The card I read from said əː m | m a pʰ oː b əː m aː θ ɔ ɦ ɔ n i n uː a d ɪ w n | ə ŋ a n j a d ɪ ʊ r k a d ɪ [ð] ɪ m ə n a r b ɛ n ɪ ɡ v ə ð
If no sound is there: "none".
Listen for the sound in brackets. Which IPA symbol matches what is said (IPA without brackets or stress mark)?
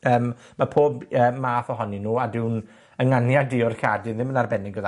ð